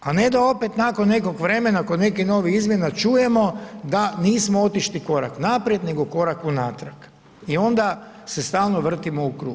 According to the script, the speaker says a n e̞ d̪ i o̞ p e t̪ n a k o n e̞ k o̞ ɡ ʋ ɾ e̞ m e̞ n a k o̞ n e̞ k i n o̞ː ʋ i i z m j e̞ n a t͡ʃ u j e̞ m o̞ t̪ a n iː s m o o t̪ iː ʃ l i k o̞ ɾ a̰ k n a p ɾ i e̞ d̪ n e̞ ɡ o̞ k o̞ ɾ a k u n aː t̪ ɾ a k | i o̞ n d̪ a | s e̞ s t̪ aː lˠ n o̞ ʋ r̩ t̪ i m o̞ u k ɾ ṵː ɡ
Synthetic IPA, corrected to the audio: a n e̞ d̪ a o̞ p e t̪ n a k o nː e̞ k o̞ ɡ ʋ ɾ e̞ m e̞ n a k o̞ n e̞ k i n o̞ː ʋ i i z m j e̞ n a t͡ʃ u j e̞ m o̞ d̪ a n iː s m o o t̪ i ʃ l i k o̞ ɾ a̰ k n a p ɾ j e̞ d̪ n e̞ ɡ o̞ k o̞ ɾ a k u n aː t̪ ɾ a k | i o̞ n d̪ a | s e̞ s t̪ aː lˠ n o̞ ʋ r̩ t̪ i m o̞ u k ɾ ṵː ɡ